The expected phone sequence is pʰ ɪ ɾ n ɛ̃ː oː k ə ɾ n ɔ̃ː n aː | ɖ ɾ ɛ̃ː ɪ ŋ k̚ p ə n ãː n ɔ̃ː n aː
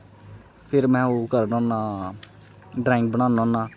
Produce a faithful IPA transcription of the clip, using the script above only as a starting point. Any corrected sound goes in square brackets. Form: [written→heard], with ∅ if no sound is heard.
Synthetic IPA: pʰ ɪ ɾ [n→m] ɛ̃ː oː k ə ɾ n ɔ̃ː n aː | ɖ ɾ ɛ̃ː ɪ ŋ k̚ [p→b] ə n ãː n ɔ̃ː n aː